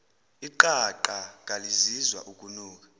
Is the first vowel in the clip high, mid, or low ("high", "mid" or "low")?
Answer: high